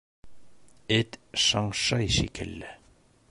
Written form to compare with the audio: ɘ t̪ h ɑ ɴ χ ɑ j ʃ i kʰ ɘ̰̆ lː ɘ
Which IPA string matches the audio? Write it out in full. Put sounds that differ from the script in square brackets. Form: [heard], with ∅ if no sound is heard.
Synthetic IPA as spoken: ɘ t̪ [ʃ] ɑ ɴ [ʃ] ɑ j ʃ i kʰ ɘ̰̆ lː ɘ